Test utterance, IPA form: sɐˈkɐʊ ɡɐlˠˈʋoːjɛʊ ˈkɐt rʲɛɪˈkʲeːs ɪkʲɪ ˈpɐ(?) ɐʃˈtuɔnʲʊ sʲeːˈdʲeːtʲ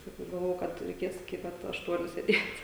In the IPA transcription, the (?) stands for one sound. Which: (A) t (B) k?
A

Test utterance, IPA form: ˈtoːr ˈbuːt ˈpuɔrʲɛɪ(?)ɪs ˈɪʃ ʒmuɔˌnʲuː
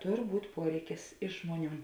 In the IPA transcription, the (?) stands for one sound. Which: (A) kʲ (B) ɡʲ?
A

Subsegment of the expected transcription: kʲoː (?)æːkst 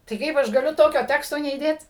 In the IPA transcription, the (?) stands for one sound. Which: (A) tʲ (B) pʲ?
A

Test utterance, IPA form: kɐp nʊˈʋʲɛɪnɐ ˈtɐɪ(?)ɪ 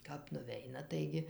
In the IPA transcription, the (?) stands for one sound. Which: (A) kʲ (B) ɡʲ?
B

